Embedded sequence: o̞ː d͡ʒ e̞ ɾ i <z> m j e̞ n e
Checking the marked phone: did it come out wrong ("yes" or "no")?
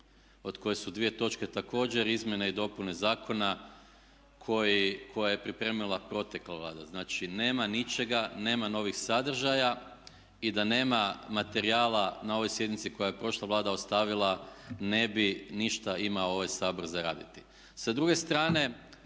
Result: no